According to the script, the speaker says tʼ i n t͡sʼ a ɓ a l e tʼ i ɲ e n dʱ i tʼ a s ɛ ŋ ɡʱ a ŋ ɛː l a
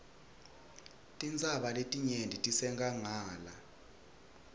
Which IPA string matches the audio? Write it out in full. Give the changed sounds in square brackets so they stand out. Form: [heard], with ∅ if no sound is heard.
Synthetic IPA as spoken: tʼ i n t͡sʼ a ɓ a l e tʼ i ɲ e n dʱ i tʼ [i] s ɛ ŋ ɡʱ a ŋ [aː] l a